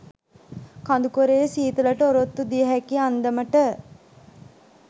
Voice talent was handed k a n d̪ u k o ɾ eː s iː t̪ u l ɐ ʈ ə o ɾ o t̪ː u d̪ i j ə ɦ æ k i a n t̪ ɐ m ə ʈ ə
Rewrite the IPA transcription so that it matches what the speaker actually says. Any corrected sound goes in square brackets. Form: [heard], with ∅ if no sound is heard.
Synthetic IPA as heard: k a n d̪ u k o ɾ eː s iː t̪ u l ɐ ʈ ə o ɾ o t̪ː u d̪ i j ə ɦ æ k i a n [d̪] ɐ m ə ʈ ə